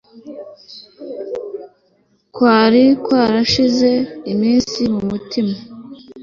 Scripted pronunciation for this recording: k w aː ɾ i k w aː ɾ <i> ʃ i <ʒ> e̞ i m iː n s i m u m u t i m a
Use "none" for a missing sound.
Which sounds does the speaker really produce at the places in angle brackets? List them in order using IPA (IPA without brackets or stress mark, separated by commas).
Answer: a, z